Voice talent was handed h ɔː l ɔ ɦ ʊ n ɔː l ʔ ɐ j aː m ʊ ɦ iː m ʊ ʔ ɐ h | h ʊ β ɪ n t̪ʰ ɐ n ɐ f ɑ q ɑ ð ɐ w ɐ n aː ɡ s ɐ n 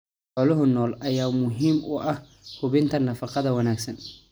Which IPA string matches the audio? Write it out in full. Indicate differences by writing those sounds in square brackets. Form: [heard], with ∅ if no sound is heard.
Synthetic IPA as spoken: [ħ] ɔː l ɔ ɦ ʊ n ɔː l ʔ ɐ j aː m ʊ ɦ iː m ʊ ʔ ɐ h | h ʊ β ɪ n t̪ʰ ɐ n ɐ f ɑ q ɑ ð ɐ w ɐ n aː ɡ s ɐ n